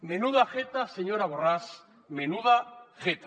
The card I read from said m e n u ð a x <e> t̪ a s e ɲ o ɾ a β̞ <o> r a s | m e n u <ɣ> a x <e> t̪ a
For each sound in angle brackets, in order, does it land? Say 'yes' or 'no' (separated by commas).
yes, yes, no, yes